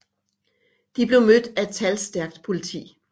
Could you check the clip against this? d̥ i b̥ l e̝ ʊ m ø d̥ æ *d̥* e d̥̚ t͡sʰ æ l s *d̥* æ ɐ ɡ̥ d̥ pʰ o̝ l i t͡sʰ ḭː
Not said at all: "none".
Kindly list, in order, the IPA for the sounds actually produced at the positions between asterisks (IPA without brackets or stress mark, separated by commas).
none, d̥